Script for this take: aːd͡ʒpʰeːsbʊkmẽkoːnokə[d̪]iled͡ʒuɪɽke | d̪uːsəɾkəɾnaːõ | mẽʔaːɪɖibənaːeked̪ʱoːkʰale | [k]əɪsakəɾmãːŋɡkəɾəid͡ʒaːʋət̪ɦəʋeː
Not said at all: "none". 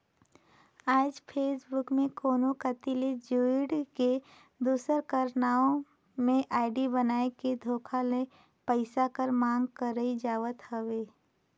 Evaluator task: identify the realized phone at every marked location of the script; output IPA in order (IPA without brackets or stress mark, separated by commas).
t̪, p